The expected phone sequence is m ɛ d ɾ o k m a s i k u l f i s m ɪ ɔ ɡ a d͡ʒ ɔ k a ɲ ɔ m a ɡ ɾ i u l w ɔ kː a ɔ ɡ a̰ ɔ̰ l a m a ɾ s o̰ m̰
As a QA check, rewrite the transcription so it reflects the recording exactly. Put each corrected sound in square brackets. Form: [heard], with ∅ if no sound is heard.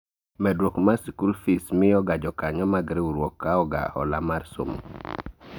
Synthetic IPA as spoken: m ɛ d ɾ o k m a s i k u l f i s m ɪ ɔ ɡ a d͡ʒ ɔ k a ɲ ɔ m a ɡ ɾ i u [ɾ] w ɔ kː a ɔ ɡ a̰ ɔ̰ l a m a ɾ s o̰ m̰

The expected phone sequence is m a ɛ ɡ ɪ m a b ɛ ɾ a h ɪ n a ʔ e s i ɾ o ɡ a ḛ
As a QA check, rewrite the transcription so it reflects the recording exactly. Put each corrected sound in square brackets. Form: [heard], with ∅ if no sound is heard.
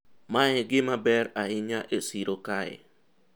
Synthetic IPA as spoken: m a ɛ ɡ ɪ m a b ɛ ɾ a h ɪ [ɲ] a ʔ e s i ɾ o [k] a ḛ

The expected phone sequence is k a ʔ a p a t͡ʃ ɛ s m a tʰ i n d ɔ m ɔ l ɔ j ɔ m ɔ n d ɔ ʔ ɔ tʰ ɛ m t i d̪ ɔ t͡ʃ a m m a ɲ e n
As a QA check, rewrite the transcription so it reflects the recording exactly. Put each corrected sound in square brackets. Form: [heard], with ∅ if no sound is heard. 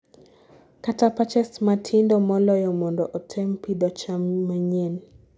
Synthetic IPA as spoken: k a [t] a p a t͡ʃ ɛ s m a tʰ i n d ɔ m ɔ l ɔ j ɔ m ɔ n d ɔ ʔ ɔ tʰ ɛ m [p] i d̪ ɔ t͡ʃ a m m a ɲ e n

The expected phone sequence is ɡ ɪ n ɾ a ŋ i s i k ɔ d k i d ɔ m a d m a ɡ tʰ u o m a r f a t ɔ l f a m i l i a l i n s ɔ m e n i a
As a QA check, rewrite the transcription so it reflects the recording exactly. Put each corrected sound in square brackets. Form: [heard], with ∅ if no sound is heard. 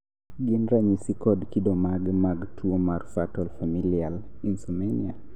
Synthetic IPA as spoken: ɡ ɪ n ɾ a [ɲ] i s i k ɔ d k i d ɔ m a [ɡ] m a ɡ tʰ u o m a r f a t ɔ l f a m i l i a l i n s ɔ m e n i a

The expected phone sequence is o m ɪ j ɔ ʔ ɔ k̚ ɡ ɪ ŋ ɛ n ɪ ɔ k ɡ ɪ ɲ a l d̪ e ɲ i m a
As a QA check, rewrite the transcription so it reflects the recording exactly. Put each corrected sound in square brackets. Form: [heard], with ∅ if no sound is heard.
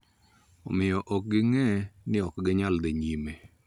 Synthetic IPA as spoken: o m ɪ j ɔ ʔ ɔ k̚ ɡ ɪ ŋ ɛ n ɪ ɔ k ɡ ɪ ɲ a l d̪ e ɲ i m [e]

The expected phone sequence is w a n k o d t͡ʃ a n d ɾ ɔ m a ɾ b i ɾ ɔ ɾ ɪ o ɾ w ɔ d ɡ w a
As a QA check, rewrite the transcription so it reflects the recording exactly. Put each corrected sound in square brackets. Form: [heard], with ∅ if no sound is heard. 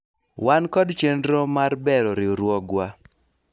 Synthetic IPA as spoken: w a n k [ɔ] d t͡ʃ [e] n d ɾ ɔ m a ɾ b [ɛ] ɾ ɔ ɾ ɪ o ɾ w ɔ [∅] ɡ w a

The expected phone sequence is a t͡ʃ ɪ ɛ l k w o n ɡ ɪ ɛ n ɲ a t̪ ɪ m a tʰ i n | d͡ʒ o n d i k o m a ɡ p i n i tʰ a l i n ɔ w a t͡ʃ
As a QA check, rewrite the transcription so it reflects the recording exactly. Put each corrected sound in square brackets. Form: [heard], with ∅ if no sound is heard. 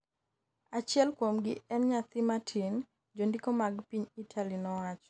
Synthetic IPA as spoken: a t͡ʃ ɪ ɛ l k w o [m] ɡ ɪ ɛ n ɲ a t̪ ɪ m a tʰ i n | d͡ʒ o n d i k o m a ɡ p i [ɲ] i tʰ a l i n ɔ w a t͡ʃ

